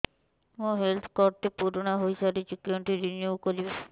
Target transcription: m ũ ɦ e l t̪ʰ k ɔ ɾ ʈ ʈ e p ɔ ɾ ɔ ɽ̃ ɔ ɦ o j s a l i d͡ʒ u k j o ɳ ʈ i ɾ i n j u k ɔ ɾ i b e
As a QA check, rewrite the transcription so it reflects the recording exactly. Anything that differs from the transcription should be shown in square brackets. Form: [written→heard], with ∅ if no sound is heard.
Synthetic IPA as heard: m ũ ɦ e l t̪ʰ k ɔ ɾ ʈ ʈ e p [ɔ→u] ɾ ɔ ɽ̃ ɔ ɦ o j s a [l→ɾ] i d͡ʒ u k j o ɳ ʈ i ɾ i n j u k ɔ ɾ i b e